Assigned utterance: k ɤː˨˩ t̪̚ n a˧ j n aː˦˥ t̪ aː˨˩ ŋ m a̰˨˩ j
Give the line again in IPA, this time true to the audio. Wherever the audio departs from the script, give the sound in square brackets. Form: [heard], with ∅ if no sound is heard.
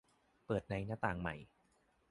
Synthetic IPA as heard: [p] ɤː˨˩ t̪̚ n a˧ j n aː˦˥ t̪ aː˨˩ ŋ m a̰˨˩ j